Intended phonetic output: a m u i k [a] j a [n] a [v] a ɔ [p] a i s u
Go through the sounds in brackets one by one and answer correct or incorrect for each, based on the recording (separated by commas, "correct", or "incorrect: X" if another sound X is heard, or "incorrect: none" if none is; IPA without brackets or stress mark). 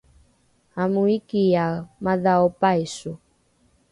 incorrect: i, incorrect: m, incorrect: ð, correct